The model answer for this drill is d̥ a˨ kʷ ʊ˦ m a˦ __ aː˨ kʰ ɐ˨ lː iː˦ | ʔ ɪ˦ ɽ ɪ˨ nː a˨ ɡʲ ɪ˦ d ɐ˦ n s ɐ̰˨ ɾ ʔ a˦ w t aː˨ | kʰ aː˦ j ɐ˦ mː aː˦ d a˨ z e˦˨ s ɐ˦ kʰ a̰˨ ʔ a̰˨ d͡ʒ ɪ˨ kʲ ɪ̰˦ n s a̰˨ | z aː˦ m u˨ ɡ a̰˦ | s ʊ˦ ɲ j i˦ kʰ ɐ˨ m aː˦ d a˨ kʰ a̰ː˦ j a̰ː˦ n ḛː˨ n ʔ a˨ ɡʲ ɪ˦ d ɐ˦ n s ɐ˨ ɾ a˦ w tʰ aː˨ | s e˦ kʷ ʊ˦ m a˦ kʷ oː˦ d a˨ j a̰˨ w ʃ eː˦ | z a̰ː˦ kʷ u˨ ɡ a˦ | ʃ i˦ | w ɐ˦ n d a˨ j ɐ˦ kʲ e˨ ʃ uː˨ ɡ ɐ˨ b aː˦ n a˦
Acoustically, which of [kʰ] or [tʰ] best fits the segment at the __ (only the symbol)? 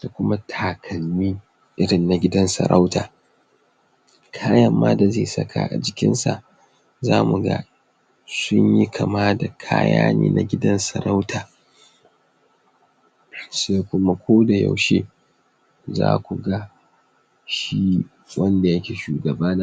tʰ